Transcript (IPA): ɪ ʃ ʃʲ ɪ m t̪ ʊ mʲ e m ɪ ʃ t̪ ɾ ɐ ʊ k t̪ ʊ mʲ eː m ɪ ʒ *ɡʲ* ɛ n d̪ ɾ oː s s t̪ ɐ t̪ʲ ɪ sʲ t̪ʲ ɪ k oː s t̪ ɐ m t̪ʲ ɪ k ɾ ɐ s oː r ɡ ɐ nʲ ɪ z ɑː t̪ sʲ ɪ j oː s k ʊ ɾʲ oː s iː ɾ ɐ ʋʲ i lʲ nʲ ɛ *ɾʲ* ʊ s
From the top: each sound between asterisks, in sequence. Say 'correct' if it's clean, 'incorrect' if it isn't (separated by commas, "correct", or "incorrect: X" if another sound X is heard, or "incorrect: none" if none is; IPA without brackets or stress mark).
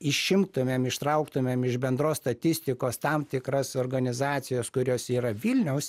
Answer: incorrect: bʲ, incorrect: none